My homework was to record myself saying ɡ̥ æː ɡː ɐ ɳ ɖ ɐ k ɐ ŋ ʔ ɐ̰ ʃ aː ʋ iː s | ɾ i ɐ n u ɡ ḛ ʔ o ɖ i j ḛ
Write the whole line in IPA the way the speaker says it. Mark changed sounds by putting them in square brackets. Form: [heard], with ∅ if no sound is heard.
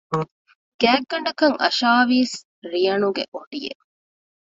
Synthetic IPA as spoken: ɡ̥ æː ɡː ɐ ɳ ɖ ɐ k ɐ ŋ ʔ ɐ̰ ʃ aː ʋ iː s | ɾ i ɐ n u ɡ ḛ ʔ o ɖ i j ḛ